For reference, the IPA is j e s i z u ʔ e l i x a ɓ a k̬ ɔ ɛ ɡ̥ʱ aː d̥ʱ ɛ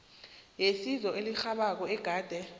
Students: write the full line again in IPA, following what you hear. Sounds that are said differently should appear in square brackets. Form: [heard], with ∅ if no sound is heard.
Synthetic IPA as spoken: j e s i z [ɔ] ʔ e l i x a ɓ a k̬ ɔ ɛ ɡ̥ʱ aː d̥ʱ ɛ